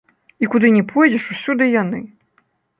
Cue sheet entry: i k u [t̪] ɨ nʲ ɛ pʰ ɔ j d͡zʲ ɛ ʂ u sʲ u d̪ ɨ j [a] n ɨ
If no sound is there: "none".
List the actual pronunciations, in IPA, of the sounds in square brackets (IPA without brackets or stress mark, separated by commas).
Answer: d̪, a